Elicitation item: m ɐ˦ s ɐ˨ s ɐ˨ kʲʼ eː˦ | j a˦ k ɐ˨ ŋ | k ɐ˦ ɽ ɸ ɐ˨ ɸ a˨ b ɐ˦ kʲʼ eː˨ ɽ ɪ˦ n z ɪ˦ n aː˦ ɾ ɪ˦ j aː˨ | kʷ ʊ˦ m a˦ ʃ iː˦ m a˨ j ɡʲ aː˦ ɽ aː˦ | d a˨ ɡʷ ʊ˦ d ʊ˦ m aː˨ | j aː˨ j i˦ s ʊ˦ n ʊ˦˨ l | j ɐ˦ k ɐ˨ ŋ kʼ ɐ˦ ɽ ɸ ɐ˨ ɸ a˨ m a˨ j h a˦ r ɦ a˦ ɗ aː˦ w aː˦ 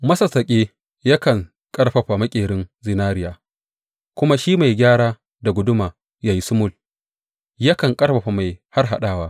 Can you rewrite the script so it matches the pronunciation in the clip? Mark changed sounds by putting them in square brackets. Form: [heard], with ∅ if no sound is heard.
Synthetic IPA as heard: m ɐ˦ s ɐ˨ s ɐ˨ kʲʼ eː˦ | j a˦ k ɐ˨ ŋ | [kʼ] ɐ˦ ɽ ɸ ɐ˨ ɸ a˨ [m] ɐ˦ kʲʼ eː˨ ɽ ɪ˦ n z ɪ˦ n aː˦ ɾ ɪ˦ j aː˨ | kʷ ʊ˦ m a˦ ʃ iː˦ m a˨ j ɡʲ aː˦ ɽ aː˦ | d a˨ ɡʷ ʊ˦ d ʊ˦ m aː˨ | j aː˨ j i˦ s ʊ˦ [m] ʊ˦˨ l | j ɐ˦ k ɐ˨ ŋ kʼ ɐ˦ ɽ ɸ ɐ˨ ɸ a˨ m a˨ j h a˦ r ɦ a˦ ɗ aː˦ w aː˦